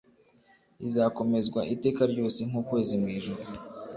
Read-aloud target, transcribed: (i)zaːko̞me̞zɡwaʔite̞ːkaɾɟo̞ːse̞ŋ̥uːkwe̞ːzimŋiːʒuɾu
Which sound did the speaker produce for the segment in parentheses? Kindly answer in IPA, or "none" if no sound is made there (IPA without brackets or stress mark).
i